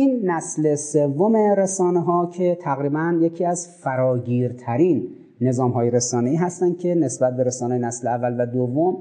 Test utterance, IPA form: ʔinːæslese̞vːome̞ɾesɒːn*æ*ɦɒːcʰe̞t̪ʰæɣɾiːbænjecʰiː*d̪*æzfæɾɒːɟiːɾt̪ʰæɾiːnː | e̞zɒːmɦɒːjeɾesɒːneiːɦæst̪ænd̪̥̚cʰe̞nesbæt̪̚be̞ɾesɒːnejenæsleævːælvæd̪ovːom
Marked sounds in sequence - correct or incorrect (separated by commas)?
incorrect, incorrect